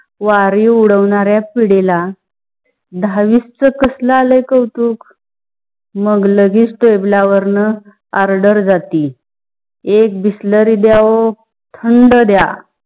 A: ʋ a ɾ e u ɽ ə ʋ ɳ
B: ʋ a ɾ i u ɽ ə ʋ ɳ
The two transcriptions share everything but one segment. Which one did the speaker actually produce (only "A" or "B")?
B